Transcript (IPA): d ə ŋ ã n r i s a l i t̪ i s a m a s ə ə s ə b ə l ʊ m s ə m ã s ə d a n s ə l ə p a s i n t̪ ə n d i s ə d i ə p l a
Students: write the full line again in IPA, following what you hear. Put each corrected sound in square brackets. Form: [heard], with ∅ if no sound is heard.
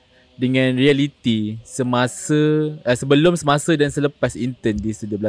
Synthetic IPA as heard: d ə ŋ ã n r i [∅] a l i t̪ i s [ə] m a s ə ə s ə b ə l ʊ m s ə m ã s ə d a n s ə l ə p a s i n t̪ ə n d i s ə d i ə [b] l a